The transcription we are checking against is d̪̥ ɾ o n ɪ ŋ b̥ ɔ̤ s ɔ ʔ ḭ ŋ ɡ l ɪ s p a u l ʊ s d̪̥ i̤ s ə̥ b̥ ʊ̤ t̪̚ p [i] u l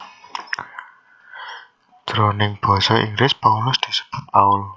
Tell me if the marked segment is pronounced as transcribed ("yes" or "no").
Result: no